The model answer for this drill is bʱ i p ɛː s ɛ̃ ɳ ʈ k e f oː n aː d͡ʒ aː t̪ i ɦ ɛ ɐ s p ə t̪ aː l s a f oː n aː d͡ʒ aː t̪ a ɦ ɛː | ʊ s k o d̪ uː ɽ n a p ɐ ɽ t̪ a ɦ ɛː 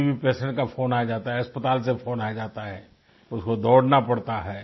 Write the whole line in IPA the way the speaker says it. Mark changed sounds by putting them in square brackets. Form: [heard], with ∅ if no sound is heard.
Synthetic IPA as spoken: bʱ i p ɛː s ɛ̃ ɳ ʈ k [a] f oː n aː d͡ʒ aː t̪ [a] ɦ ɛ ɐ s p ə t̪ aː l s [e] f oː n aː d͡ʒ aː t̪ a ɦ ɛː | ʊ s k o d̪ [ɔː] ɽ n a p ɐ ɽ t̪ a ɦ ɛː